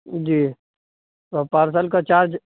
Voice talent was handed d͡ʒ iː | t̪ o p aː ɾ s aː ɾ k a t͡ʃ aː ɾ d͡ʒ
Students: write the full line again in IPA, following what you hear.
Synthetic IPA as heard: d͡ʒ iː | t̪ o p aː ɾ s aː l k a t͡ʃ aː ɾ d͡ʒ